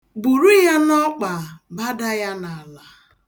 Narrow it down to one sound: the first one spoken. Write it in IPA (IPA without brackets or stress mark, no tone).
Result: b